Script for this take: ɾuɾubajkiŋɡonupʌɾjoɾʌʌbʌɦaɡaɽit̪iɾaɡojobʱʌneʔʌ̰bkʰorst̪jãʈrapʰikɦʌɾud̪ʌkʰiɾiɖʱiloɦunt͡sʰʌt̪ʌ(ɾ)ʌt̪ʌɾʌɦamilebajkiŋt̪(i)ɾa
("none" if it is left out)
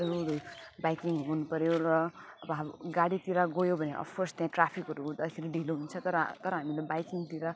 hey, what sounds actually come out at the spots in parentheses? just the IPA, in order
ɾ, i

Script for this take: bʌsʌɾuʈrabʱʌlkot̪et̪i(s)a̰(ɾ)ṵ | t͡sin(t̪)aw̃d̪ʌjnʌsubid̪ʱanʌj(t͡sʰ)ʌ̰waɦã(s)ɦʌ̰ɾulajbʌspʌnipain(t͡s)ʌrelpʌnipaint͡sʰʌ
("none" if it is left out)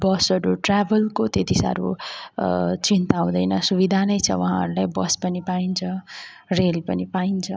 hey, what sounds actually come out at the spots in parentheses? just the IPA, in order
s, ɾ, t̪, t͡sʰ, none, t͡sʰ

